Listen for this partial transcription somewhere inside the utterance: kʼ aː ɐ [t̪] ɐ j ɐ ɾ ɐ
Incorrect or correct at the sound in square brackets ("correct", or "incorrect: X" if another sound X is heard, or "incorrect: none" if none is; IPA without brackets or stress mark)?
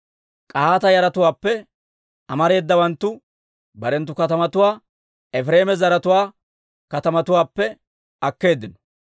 correct